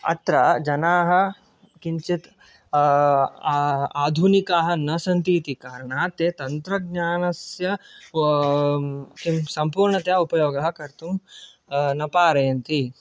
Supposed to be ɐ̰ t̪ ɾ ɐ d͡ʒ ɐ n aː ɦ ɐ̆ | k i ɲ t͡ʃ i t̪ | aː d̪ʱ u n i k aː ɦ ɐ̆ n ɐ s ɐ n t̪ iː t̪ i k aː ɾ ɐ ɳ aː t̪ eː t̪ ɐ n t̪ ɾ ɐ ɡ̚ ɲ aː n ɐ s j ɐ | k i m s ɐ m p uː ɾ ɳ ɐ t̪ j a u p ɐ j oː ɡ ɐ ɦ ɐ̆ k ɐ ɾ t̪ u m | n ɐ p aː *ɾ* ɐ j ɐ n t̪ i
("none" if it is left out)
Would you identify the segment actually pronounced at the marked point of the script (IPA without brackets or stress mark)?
ɾ